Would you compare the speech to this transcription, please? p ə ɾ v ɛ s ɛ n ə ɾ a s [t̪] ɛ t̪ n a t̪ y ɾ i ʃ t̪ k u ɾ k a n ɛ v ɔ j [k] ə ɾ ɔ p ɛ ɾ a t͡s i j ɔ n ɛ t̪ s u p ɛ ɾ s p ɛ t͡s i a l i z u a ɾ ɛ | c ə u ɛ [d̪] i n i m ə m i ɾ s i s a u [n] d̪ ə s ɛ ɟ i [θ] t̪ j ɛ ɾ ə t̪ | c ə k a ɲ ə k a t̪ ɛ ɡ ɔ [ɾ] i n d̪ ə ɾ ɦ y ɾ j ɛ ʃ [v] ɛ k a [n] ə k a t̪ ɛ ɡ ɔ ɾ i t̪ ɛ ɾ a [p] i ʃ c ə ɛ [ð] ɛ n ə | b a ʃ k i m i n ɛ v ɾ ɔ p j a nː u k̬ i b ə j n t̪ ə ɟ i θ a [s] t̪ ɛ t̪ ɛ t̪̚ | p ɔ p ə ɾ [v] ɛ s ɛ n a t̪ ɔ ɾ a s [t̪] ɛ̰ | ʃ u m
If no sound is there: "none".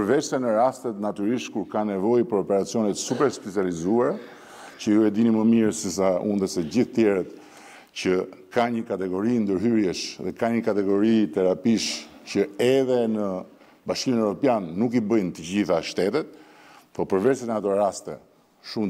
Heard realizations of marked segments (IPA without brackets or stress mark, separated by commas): t̪, p, d̪, n, θ, ɾ, ð, ɲ, p, ð, ʃ, v, t̪